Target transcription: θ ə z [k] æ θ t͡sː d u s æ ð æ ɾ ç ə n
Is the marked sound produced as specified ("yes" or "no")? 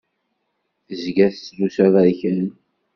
no